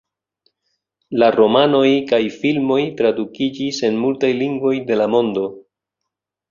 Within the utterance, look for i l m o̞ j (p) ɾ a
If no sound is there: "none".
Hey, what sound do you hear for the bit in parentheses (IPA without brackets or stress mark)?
t